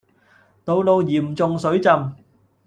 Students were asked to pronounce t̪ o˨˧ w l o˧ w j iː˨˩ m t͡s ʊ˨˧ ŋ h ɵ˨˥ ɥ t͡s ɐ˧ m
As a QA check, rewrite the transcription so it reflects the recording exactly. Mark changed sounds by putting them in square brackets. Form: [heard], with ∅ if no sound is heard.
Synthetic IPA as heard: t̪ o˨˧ w l o˧ w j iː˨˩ m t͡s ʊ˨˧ ŋ [s] ɵ˨˥ ɥ t͡s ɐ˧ m